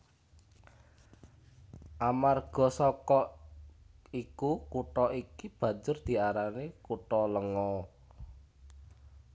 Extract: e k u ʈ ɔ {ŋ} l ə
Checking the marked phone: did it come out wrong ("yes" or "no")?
yes